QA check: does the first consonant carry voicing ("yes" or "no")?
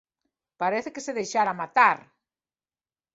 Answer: no